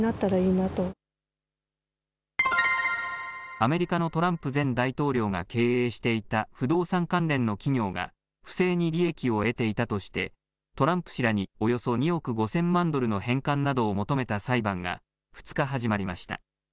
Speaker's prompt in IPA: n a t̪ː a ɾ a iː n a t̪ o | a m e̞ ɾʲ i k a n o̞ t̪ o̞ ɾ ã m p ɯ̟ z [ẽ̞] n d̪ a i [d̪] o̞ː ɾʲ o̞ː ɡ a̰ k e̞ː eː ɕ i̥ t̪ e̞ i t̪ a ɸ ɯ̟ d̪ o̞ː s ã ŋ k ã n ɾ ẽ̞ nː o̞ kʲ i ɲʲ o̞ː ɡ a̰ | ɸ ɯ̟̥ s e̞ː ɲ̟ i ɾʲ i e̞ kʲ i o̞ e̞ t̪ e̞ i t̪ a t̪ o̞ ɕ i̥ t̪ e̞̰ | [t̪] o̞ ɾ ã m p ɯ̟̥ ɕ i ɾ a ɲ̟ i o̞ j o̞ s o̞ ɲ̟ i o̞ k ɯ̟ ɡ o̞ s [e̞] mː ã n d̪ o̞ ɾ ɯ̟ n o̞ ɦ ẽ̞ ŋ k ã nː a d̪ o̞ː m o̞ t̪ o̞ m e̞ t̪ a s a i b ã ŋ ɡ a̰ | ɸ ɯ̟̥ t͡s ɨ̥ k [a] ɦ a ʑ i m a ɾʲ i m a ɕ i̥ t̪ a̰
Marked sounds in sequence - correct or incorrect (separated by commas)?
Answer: correct, incorrect, correct, incorrect, correct